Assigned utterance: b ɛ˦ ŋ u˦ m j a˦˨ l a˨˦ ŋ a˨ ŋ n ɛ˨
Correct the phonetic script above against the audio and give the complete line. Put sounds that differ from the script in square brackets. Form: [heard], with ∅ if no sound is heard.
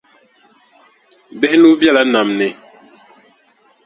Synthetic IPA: b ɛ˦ [n] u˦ [b] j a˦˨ l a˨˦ [n] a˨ [m] n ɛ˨